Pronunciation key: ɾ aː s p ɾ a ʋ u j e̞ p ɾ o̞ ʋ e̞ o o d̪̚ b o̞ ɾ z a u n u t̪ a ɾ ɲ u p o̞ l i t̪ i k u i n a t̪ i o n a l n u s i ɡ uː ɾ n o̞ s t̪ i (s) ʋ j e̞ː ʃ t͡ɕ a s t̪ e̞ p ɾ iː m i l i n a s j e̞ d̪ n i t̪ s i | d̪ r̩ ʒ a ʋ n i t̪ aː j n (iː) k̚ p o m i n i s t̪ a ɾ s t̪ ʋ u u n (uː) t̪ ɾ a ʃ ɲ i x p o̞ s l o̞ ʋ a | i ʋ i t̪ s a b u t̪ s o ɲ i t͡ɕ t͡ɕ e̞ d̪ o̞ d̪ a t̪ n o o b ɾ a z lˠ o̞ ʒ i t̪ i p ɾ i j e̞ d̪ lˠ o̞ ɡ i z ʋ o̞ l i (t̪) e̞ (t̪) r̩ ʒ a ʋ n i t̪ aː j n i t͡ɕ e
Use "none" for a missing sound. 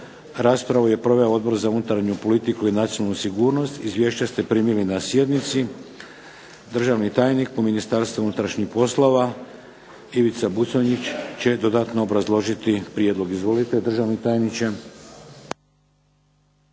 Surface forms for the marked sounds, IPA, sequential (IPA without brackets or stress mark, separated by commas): z, i, u, t̪, d̪